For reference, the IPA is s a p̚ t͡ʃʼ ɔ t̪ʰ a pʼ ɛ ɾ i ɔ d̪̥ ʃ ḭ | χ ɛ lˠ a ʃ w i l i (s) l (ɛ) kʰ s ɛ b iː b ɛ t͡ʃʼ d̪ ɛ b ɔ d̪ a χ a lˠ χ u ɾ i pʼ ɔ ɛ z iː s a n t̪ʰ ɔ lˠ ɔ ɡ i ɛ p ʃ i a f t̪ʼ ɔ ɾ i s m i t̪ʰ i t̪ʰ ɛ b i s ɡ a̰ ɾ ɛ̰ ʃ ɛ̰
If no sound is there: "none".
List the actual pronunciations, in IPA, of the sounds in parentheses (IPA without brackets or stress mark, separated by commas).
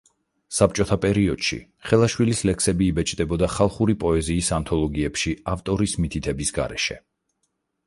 s, ɛ